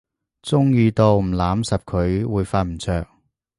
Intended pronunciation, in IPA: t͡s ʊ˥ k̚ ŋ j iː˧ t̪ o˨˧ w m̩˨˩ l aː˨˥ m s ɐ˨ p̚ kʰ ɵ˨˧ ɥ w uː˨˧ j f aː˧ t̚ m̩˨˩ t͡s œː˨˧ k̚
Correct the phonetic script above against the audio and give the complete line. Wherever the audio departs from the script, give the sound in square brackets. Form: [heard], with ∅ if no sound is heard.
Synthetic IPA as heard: t͡s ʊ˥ [∅] ŋ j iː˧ t̪ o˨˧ w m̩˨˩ l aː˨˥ m s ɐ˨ p̚ kʰ ɵ˨˧ ɥ w uː˨˧ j f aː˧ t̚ m̩˨˩ [t͡sʰ] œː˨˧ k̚